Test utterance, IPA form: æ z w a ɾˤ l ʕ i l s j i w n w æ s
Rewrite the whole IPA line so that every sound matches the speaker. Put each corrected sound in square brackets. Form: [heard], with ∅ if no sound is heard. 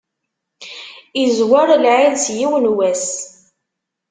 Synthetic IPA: [i] z w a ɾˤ l ʕ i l s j i w n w æ s